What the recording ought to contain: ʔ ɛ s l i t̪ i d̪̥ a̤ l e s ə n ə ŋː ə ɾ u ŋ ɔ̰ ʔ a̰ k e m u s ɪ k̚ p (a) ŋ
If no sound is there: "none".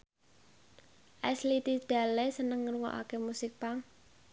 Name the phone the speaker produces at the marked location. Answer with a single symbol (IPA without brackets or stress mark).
a